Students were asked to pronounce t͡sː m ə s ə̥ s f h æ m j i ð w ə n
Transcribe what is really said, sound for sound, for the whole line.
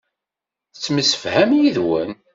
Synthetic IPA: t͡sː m ə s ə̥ f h æ m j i ð w ə n